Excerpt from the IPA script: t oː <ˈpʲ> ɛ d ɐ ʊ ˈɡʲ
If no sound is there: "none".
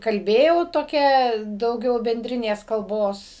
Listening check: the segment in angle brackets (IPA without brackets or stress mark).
kʲ